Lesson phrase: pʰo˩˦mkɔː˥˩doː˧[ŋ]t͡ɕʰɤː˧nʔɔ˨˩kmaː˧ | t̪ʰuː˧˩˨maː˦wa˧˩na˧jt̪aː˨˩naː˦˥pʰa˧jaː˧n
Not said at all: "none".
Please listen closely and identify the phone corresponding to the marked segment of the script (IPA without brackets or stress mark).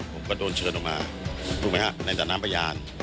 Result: n